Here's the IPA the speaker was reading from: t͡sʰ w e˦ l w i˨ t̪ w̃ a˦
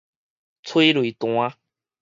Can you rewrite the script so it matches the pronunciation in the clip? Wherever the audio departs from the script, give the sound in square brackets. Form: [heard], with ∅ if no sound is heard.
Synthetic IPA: t͡sʰ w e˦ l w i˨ t̪ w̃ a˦